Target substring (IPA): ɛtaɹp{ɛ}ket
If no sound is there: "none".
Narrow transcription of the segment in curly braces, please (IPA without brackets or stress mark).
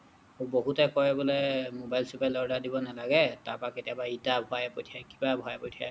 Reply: a